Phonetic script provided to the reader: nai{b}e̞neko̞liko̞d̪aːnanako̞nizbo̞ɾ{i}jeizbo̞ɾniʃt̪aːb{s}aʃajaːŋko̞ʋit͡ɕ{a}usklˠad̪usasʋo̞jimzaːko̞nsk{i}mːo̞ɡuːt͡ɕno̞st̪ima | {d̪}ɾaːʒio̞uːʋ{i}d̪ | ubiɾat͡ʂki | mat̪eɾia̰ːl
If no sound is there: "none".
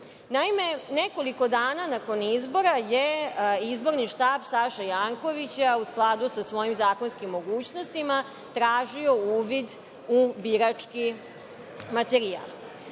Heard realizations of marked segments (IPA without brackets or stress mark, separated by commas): m, a, s, a, i, t̪, i